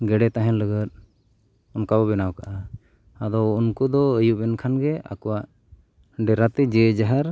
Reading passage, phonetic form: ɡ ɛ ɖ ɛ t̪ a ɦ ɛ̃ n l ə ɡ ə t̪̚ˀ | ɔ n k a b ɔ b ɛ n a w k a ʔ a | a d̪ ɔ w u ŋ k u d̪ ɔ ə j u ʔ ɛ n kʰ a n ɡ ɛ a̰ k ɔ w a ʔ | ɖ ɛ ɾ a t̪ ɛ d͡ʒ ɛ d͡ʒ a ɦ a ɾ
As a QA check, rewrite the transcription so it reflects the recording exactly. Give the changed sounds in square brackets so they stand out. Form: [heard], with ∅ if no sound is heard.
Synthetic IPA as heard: ɡ ɛ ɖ ɛ t̪ a ɦ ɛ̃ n l ə ɡ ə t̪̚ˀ | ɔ n k a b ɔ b ɛ n a w k a ʔ a | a d̪ ɔ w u [n] k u d̪ ɔ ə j u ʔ ɛ n kʰ a n ɡ ɛ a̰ k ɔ w a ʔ | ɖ ɛ ɾ a t̪ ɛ d͡ʒ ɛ d͡ʒ a ɦ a ɾ